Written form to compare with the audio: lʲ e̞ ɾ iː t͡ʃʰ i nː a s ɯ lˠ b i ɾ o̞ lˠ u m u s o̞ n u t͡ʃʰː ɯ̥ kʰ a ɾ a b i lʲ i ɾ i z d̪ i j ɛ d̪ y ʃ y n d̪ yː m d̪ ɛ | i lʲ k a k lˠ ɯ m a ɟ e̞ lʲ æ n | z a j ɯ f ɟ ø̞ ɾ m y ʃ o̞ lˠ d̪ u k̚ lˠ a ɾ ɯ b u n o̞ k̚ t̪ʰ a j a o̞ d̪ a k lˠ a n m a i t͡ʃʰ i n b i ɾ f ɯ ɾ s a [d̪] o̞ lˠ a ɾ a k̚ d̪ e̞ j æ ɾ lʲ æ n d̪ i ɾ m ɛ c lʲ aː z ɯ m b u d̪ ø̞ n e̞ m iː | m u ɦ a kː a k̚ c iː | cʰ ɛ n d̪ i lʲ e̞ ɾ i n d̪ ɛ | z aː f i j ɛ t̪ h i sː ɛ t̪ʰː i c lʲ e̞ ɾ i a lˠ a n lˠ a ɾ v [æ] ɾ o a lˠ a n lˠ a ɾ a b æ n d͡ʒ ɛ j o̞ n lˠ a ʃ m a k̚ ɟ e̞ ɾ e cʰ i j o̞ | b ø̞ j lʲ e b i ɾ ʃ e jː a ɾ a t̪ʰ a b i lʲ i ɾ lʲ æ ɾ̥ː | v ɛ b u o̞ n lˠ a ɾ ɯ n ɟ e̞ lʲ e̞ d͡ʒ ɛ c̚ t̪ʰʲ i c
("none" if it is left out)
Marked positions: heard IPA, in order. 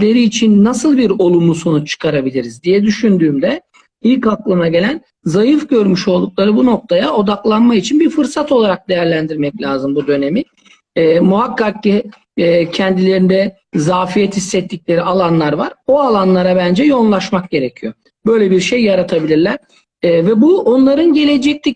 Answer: t̪, a

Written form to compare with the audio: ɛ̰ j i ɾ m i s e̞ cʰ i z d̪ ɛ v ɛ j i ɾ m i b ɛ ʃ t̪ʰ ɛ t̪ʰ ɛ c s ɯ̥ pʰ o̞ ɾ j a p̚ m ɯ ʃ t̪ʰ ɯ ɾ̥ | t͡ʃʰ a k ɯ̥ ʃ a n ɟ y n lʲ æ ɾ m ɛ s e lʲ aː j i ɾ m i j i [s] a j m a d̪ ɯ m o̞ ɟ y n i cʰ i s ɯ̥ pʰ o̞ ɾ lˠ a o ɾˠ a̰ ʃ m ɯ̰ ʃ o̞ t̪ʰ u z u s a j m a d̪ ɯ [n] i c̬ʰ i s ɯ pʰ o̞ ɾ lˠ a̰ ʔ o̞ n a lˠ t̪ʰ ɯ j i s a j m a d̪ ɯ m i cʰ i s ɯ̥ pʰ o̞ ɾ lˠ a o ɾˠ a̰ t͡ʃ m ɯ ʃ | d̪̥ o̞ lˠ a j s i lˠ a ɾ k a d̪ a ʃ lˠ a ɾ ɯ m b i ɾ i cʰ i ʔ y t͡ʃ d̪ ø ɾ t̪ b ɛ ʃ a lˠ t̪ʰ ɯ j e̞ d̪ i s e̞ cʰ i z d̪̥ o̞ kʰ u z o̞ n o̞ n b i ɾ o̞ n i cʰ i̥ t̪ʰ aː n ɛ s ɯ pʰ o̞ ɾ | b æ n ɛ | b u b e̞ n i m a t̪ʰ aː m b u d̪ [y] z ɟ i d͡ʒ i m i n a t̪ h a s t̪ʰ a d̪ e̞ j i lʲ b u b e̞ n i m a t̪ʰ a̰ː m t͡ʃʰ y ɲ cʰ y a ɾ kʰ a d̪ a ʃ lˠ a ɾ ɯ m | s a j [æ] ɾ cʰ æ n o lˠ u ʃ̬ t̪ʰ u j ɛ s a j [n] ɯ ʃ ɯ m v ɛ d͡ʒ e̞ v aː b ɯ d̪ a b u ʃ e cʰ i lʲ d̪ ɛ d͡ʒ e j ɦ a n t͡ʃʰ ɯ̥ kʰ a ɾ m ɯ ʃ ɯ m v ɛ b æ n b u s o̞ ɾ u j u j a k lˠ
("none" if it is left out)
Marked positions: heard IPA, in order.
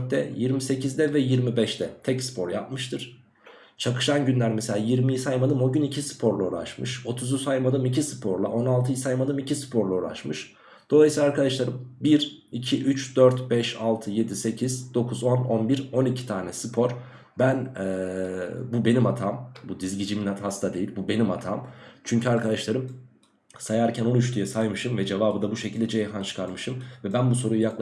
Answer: s, m, i, a, m

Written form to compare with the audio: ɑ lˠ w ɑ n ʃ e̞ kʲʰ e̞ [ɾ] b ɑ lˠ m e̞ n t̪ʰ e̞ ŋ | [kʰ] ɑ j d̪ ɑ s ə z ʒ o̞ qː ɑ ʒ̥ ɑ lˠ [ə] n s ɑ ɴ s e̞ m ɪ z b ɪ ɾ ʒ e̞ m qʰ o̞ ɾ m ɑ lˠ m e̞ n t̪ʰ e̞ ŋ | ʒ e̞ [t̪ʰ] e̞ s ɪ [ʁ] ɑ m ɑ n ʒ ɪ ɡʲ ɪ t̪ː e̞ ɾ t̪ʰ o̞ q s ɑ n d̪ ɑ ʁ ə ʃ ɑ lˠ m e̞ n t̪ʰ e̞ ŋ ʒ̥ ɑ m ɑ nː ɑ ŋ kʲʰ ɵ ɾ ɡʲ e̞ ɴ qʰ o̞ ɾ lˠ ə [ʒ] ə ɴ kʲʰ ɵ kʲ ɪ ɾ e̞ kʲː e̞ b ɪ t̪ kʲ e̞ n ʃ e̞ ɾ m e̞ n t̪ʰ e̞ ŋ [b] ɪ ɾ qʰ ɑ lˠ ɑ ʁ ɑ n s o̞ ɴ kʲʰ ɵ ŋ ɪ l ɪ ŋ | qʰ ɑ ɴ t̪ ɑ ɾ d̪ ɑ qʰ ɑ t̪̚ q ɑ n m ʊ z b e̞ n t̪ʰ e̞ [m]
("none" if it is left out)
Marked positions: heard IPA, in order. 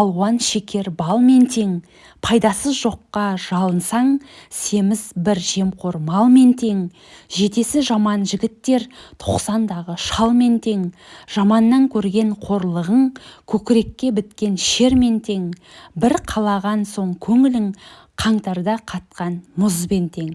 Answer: ɾ, pʰ, ə, t̪, ʒ, ʁ, b, ŋ

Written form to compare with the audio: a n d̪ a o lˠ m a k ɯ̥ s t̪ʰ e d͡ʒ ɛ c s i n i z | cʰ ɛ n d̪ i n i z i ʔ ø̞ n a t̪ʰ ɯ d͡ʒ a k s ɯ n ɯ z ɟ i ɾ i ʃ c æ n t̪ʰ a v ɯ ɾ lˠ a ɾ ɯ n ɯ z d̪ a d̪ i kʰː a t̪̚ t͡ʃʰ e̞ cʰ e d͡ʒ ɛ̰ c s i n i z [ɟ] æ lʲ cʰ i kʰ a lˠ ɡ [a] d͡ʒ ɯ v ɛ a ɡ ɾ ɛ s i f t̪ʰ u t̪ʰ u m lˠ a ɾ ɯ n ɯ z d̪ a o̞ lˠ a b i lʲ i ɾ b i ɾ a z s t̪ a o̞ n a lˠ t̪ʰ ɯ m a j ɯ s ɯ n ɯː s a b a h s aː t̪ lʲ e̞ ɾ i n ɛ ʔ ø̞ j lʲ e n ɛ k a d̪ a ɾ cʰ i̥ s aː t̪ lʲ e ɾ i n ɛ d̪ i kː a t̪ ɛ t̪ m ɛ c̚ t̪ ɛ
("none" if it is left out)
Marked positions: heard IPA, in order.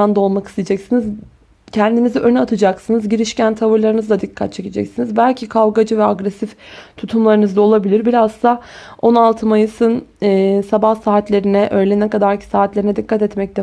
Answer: b, a

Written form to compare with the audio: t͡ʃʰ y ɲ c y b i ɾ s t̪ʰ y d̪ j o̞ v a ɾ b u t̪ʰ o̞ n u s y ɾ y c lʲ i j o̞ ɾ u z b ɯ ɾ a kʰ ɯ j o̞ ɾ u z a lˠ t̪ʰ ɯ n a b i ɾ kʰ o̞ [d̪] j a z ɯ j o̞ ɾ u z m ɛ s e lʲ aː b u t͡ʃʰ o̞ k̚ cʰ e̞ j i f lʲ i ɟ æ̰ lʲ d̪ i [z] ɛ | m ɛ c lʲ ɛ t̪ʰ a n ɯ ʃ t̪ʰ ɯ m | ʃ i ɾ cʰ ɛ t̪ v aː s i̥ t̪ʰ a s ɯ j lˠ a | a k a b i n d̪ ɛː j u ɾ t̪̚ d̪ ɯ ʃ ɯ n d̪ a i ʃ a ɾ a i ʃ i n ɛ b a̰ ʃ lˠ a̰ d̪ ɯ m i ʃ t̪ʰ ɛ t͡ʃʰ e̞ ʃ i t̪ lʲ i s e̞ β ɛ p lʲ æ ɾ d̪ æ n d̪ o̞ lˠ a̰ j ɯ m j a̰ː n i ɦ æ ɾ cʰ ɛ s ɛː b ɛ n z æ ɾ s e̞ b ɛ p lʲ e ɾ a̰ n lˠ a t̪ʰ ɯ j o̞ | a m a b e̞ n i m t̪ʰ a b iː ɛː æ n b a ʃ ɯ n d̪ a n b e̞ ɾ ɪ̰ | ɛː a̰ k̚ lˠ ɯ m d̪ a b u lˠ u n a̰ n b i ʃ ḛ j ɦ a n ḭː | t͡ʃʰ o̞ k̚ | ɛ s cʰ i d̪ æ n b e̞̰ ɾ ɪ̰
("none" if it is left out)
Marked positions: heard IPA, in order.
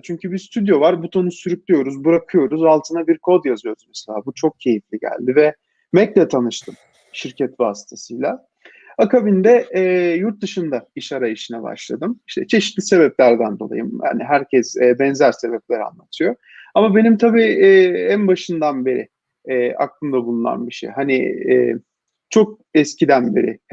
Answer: d̪, v

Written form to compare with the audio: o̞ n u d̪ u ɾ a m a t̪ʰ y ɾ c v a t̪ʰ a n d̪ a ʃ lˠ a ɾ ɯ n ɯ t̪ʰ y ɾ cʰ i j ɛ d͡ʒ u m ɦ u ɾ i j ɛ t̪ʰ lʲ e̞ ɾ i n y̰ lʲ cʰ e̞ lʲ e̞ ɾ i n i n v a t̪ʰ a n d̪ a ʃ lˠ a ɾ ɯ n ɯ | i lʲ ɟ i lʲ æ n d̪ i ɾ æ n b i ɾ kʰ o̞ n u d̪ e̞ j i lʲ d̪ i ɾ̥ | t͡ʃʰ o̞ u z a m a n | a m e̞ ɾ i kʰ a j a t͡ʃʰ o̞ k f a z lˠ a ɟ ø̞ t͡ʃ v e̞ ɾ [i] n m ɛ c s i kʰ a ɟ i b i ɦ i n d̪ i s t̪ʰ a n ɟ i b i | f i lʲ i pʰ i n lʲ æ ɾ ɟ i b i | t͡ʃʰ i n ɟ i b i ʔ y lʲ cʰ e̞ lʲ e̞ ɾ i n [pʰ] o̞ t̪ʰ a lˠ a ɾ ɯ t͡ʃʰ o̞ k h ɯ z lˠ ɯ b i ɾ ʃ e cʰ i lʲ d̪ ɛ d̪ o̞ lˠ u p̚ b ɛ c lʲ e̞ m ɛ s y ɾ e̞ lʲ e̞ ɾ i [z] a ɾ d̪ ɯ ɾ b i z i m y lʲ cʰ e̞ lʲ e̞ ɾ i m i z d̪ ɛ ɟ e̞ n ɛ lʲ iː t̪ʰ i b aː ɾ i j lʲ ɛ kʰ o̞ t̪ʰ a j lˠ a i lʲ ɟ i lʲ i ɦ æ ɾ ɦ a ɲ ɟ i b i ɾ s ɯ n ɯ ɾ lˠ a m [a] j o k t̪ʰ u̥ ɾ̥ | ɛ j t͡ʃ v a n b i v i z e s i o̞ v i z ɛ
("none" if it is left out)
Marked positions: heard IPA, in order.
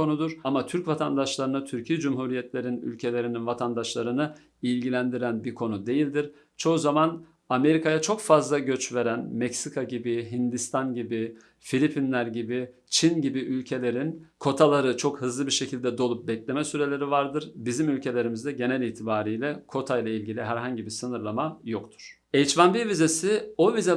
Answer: æ, kʰ, v, a

